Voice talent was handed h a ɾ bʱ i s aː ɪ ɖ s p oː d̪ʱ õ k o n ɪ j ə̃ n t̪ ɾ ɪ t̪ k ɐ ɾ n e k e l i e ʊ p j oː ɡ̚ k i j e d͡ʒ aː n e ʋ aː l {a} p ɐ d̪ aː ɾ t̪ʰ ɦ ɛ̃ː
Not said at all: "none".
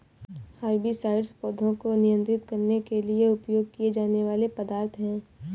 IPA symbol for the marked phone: e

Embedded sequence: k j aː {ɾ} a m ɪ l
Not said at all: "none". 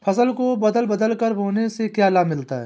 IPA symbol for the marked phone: l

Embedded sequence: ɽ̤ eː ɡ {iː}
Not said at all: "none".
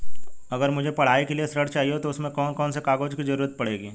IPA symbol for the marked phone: iː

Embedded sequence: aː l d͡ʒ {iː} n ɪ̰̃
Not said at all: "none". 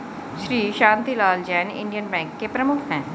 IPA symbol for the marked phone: ɛː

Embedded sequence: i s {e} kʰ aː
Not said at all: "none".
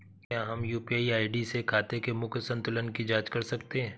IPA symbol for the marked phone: e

